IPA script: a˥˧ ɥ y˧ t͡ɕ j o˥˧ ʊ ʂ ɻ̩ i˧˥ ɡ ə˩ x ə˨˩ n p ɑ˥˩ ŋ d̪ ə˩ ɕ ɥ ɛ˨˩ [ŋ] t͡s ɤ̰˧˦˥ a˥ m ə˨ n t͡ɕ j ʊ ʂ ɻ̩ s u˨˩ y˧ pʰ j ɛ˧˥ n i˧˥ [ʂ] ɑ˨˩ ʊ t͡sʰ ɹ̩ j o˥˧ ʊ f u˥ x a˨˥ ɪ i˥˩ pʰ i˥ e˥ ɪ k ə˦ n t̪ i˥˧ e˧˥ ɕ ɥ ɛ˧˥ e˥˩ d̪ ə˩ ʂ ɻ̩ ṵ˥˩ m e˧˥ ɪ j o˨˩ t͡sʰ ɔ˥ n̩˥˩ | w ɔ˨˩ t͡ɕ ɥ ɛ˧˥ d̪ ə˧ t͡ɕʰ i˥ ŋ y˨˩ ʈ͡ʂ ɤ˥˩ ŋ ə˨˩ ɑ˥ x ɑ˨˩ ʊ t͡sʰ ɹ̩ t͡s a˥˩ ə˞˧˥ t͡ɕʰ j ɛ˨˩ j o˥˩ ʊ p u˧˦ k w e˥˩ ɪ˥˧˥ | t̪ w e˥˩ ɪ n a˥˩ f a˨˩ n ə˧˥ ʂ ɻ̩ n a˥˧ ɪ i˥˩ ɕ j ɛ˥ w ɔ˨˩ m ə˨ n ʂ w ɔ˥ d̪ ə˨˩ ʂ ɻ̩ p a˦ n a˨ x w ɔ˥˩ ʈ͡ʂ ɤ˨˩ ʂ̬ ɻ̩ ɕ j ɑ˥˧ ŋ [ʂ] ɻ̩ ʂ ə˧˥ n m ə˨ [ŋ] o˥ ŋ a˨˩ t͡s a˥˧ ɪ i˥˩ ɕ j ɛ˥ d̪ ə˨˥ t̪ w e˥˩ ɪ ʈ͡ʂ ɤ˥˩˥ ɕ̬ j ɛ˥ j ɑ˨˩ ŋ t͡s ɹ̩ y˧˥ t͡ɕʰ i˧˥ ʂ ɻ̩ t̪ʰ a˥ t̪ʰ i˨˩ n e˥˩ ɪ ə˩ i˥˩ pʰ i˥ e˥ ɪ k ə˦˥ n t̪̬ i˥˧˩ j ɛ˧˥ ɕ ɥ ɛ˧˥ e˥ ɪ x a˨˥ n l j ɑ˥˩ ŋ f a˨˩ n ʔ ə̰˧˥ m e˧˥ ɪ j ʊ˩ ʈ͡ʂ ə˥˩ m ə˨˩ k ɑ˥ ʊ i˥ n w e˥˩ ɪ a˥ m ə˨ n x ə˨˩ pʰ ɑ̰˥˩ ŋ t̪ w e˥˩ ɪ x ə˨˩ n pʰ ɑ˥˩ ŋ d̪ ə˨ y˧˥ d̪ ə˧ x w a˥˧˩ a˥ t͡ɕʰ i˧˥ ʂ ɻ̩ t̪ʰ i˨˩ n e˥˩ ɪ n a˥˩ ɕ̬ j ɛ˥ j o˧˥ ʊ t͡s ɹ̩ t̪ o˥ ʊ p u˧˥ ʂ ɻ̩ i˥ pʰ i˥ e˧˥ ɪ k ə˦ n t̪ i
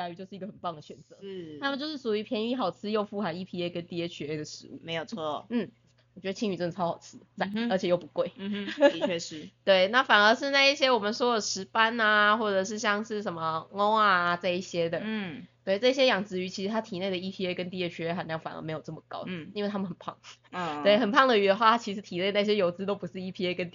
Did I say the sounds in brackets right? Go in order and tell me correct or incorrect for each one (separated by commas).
incorrect, incorrect, correct, correct